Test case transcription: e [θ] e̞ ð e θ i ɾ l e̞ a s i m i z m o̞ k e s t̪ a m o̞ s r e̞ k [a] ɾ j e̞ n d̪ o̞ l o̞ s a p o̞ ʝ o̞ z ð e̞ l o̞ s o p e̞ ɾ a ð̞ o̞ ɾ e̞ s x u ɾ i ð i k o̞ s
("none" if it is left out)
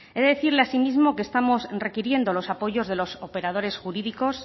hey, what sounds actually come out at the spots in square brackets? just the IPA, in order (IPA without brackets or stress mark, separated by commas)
ð, i